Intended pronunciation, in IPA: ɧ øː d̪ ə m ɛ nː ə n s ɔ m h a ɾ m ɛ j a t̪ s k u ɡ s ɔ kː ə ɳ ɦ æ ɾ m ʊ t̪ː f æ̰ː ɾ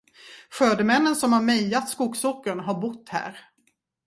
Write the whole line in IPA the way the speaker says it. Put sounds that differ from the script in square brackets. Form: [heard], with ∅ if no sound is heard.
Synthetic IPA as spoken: ɧ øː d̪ ə m ɛ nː ə n s ɔ m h a ɾ m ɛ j a t̪ s k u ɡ s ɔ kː ə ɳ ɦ [a] ɾ [b] ʊ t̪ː [h] æ̰ː ɾ